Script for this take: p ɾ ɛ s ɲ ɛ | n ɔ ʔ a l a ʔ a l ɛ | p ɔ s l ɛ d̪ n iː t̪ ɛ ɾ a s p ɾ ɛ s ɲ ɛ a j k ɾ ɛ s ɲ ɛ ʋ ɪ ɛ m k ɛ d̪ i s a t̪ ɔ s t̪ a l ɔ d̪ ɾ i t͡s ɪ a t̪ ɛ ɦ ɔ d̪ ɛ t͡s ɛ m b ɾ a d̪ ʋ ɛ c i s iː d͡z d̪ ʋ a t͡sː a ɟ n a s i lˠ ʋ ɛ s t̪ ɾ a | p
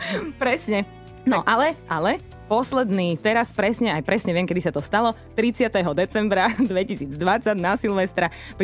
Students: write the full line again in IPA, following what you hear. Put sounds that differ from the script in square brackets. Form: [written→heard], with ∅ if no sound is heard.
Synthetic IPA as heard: p ɾ ɛ s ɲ ɛ | n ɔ ʔ a l [a→ɛ] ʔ a l ɛ | p ɔ s l ɛ d̪ n iː t̪ ɛ ɾ a s p ɾ ɛ s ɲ ɛ a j [k→p] ɾ ɛ s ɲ ɛ ʋ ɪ ɛ m k ɛ d̪ i s a t̪ ɔ s t̪ a l ɔ [d̪→t̪] ɾ i t͡s ɪ a t̪ ɛ ɦ ɔ d̪ ɛ t͡s ɛ m b ɾ a d̪ ʋ ɛ c i s iː d͡z d̪ ʋ a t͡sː a ɟ n a s i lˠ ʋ ɛ s t̪ ɾ a | p